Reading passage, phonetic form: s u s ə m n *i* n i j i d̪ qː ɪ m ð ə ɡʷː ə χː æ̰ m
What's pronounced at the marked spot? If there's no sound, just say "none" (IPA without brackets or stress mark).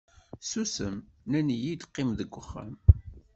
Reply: æ